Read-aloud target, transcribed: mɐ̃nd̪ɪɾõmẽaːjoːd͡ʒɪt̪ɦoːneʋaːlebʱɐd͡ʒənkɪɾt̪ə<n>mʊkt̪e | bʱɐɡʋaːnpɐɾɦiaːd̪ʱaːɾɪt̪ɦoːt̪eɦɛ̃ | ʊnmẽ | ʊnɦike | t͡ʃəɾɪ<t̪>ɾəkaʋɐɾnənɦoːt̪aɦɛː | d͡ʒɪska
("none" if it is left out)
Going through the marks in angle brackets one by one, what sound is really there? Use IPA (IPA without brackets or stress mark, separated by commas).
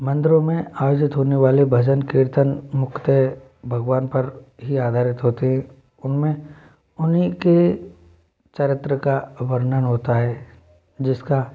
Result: n, t̪